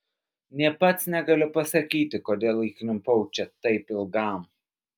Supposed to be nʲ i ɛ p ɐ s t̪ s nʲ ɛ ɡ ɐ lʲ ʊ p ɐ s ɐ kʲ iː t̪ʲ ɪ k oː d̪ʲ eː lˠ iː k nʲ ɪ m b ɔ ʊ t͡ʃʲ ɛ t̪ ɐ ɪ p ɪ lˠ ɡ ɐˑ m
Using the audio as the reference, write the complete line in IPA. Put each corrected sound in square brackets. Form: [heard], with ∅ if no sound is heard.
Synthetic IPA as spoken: nʲ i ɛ p ɐ [∅] t̪ s nʲ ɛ ɡ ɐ lʲ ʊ p ɐ s ɐ kʲ iː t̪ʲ ɪ k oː d̪ʲ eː lˠ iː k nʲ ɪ m [p] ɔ ʊ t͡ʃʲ ɛ t̪ ɐ ɪ p ɪ lˠ ɡ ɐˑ m